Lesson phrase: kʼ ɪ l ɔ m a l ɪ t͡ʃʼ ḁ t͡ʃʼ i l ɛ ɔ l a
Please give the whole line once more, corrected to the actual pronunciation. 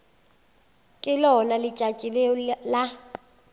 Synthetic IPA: kʼ ɪ l ɔ n a l ɪ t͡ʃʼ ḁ t͡ʃʼ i l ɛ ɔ l a

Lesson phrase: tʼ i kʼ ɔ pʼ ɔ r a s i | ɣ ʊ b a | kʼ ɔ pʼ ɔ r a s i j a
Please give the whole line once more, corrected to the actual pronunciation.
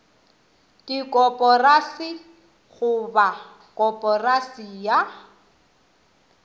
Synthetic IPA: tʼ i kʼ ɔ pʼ ɔ r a s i | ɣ ʊ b a | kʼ ɔ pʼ ɔ r a s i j a

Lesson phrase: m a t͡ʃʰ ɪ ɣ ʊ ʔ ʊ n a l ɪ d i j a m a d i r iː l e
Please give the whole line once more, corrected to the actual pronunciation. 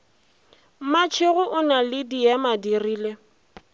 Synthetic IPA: m a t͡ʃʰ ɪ ɣ ʊ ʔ ʊ n a l ɪ d i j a m a d i r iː l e

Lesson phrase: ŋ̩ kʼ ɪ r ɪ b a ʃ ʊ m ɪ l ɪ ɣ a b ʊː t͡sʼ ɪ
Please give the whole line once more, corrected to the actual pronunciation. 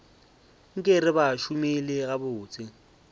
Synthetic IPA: ŋ̩ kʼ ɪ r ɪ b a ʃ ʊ m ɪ l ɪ ɣ a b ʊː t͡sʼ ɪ

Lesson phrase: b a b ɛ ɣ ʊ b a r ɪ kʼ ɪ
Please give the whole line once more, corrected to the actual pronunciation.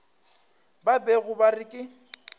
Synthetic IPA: b a b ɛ ɣ ʊ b a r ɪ kʼ ɪ

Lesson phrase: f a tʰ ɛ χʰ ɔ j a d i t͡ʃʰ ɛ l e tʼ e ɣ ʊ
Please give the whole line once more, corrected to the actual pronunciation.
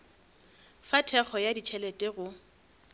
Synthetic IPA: f a tʰ ɛ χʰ ɔ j a d i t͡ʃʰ ɛ l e tʼ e ɣ ʊ

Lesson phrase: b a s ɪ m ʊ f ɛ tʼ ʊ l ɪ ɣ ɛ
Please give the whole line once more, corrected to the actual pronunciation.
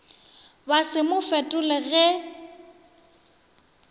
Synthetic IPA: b a s ɪ m ʊ f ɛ tʼ ʊ l ɪ ɣ ɛ

